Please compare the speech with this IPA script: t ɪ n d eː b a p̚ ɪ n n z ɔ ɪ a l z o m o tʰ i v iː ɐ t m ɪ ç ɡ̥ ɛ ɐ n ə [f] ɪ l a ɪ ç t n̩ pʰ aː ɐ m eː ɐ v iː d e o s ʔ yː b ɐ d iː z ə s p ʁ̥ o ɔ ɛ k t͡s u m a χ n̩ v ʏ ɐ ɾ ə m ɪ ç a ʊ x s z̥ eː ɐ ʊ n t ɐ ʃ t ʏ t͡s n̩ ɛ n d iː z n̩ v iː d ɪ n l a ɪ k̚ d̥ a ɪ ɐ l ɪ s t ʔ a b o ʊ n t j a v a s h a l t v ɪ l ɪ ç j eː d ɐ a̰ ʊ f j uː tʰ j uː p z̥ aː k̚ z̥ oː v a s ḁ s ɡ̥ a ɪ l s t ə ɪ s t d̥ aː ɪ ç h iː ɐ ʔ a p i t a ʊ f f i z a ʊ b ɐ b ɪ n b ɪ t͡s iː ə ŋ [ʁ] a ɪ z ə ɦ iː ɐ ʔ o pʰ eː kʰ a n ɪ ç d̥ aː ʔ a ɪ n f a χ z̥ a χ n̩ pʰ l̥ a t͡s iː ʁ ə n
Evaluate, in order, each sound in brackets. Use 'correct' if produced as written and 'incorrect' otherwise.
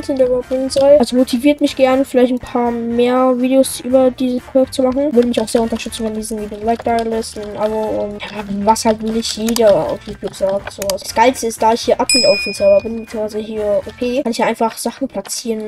correct, incorrect: v

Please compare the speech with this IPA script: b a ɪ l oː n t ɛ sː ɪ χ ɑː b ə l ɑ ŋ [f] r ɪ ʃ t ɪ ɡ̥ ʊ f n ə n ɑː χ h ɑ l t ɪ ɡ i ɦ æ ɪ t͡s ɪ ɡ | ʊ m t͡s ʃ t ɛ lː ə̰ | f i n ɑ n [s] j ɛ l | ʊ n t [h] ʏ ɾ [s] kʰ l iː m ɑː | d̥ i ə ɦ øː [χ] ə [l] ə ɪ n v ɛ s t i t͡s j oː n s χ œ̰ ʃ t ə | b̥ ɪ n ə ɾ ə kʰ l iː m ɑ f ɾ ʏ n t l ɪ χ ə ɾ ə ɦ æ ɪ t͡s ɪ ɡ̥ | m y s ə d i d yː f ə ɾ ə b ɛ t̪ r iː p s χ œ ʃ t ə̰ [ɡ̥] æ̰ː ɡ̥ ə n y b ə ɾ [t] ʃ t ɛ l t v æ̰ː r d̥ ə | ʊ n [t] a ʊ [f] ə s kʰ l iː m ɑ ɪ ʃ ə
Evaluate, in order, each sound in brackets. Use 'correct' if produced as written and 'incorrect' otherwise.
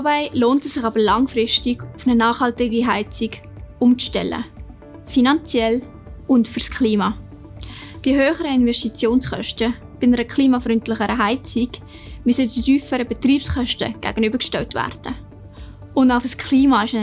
correct, incorrect: t͡s, incorrect: f, correct, correct, incorrect: ɾ, correct, incorrect: k, incorrect: d, correct

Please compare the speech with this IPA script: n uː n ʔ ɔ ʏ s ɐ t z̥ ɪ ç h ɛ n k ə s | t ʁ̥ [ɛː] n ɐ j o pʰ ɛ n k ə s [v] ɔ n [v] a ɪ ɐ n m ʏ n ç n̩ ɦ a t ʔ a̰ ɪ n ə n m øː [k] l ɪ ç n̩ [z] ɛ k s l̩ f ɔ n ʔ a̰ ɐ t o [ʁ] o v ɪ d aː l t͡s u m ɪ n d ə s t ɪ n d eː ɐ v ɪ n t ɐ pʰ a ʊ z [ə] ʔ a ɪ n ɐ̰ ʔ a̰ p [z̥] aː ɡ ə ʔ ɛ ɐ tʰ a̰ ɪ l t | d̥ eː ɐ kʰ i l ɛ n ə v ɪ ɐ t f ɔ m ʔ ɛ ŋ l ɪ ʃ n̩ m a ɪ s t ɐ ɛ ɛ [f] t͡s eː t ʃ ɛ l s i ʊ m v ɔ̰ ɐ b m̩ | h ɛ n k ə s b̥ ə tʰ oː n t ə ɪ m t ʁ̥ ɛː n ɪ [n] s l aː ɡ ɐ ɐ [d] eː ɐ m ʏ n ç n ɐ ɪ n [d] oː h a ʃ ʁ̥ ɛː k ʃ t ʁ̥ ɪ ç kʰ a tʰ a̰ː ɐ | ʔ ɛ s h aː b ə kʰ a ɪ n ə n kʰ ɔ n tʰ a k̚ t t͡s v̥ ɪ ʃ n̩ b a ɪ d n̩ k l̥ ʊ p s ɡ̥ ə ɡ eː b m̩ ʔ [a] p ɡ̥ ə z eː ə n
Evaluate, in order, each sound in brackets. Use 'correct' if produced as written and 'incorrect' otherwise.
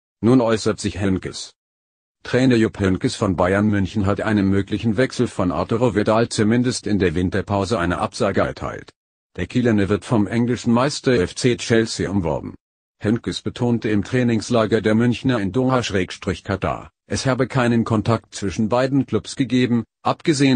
correct, incorrect: f, incorrect: b, correct, incorrect: v, correct, correct, correct, correct, incorrect: ŋ, correct, correct, correct

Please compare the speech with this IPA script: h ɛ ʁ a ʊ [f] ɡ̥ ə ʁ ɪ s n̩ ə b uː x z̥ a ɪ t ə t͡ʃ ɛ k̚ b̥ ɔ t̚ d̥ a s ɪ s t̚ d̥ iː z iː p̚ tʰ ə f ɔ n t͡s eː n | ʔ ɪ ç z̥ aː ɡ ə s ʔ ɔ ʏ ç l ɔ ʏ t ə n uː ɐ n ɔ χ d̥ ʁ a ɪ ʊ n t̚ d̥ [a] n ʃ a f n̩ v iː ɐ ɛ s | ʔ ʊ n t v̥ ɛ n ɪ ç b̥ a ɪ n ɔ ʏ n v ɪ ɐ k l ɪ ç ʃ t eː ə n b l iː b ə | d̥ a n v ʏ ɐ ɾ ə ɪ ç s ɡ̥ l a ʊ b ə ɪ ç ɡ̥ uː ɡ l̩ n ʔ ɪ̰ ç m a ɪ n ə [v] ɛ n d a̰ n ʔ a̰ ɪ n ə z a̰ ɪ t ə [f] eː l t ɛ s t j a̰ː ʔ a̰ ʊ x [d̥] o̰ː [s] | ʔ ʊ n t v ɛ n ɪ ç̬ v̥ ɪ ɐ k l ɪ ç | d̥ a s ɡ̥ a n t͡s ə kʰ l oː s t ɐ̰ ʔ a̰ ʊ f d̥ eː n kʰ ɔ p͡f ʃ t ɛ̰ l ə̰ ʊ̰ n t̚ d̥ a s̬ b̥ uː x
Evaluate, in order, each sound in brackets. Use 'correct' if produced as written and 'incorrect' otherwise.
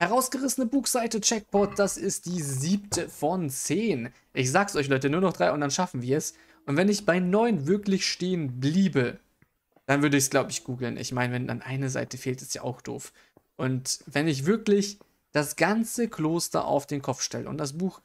incorrect: s, correct, correct, correct, correct, incorrect: f

